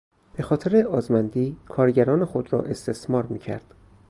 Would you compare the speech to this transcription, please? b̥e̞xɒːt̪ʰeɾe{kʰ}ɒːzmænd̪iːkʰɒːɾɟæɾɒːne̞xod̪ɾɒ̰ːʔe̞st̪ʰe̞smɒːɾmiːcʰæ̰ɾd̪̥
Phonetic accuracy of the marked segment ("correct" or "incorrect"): incorrect